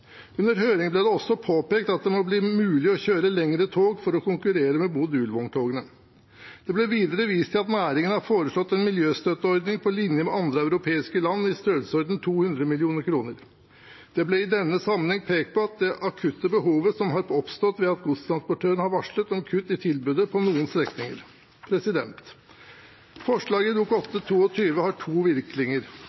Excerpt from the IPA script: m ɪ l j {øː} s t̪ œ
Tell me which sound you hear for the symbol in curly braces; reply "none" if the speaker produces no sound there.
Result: øː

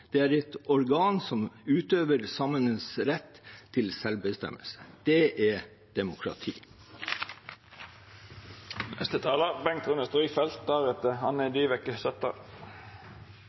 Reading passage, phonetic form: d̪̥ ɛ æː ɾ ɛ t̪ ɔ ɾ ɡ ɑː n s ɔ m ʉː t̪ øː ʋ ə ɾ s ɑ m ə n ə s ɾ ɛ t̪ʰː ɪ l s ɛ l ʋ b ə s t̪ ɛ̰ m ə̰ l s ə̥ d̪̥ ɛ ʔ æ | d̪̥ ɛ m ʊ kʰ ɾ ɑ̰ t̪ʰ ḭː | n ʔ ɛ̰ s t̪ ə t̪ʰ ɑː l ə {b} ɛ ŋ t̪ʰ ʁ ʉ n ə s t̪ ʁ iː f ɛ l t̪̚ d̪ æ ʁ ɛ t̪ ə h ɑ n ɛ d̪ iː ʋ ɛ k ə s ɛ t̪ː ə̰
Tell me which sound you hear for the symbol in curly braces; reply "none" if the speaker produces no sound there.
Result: b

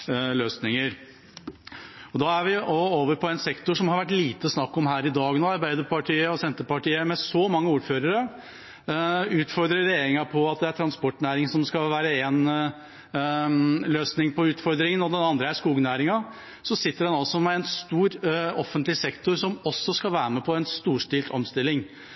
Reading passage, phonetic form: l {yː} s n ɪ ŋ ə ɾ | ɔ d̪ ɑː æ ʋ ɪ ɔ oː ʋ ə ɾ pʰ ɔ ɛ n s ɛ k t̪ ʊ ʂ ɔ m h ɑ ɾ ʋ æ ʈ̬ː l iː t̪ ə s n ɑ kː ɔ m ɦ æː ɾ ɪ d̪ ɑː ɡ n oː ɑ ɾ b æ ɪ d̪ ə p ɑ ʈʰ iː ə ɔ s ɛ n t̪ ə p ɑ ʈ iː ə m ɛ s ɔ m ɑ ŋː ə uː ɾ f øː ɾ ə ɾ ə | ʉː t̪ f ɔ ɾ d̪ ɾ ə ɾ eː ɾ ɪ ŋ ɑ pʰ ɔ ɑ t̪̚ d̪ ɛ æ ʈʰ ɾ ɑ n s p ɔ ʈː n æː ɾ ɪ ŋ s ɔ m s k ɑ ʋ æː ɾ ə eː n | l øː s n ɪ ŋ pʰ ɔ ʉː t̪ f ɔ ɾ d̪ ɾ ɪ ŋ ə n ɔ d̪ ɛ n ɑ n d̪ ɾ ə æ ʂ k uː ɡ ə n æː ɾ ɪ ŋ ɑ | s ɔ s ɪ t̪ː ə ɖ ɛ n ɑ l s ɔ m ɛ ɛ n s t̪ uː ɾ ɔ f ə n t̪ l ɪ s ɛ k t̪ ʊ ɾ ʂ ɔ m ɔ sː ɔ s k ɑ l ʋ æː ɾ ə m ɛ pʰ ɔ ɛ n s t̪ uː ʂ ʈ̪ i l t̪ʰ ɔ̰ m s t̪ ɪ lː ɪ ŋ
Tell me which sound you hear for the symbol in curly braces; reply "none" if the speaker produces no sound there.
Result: øː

